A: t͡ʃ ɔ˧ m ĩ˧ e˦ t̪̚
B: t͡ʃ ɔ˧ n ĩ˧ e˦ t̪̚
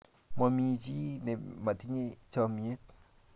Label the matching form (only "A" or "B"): A